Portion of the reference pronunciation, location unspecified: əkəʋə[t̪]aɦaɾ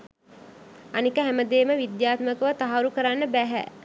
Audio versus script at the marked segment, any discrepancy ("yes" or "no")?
no